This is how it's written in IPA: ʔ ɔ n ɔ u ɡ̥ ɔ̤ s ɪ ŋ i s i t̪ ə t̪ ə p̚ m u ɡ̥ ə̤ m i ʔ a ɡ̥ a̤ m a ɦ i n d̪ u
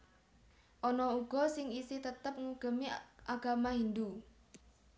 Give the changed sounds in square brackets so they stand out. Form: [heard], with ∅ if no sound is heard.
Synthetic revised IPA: ʔ ɔ n ɔ u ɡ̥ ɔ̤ s ɪ ŋ i s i t̪ ə t̪ ə p̚ [ŋ] u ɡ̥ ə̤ m i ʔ a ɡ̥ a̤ m a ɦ i n d̪ u